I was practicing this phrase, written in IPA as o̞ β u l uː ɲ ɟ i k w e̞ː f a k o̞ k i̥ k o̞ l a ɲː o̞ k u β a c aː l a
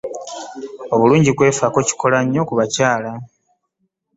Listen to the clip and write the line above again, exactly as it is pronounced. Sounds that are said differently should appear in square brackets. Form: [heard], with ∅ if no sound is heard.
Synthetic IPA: o̞ β u l uː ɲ ɟ i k w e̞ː f a k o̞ [c] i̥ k o̞ l a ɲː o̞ k u β a c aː l a